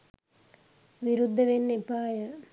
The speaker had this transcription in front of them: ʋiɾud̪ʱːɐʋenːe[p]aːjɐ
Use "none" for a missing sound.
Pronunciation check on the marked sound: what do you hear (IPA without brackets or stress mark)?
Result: p